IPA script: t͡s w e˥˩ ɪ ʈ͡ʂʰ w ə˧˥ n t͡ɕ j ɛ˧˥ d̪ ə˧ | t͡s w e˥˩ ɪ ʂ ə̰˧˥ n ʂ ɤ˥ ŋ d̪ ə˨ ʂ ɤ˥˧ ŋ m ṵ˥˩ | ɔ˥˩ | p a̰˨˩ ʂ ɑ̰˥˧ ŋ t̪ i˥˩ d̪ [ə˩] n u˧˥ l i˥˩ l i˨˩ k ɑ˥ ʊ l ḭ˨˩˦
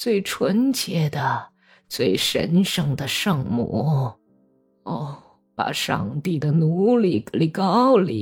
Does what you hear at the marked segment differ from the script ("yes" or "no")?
no